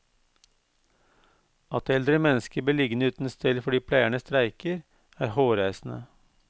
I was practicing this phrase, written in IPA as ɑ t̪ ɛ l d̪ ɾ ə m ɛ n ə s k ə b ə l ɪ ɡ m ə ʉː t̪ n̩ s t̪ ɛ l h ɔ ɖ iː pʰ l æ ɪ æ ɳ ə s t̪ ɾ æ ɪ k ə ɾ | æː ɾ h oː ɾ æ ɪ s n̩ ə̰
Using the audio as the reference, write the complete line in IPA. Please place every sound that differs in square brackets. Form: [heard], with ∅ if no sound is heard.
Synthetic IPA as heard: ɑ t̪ ɛ l d̪ ɾ ə m ɛ n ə s k ə b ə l ɪ ɡ [n] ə ʉː t̪ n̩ s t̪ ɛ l [f] ɔ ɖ iː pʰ l æ ɪ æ ɳ ə s t̪ ɾ æ ɪ k ə ɾ | æː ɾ h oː ɾ æ ɪ s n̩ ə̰